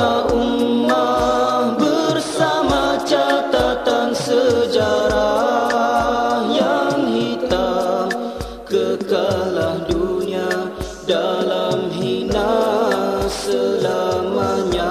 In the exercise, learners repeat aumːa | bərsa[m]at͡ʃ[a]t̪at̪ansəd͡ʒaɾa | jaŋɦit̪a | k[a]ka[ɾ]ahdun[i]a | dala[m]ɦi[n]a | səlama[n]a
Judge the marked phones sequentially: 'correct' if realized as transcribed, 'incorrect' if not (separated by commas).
correct, correct, incorrect, incorrect, correct, correct, correct, incorrect